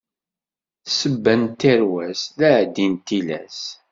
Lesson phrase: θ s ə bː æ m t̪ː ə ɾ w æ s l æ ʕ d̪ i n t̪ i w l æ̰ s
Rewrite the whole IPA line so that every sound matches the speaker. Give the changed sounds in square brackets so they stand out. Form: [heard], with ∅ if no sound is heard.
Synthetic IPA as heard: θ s ə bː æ [n] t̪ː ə ɾ w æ s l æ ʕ d̪ i n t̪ i [∅] l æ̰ s